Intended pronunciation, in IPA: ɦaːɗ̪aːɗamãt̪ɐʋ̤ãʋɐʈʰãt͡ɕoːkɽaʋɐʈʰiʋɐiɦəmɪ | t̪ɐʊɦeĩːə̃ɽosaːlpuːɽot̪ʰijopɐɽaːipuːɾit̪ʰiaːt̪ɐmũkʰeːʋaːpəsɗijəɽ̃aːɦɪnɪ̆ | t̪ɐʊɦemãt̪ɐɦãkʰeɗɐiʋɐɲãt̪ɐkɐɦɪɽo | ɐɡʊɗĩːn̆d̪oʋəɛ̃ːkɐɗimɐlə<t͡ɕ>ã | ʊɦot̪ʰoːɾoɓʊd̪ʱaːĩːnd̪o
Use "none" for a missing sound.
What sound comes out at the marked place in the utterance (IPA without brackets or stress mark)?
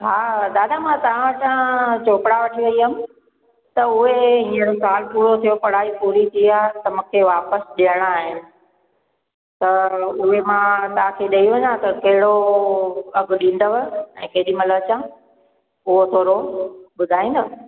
t͡ɕ